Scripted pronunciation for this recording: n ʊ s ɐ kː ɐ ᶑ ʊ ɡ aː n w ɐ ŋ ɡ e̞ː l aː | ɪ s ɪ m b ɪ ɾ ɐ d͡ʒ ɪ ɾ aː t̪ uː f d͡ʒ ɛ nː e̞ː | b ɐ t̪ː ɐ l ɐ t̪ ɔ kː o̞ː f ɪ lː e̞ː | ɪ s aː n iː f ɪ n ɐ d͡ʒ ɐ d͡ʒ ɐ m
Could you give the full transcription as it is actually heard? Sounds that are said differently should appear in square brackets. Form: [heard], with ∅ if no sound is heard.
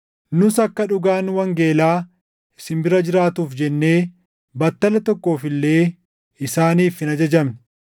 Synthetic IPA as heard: n ʊ s ɐ kː ɐ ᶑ ʊ ɡ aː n w ɐ ŋ ɡ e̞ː l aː | ɪ s ɪ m b ɪ ɾ ɐ d͡ʒ ɪ ɾ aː t̪ uː f d͡ʒ ɛ nː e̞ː | b ɐ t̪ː ɐ l ɐ t̪ ɔ kː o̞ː f ɪ lː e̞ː | ɪ s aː n iː f ɪ n ɐ d͡ʒ ɐ d͡ʒ ɐ m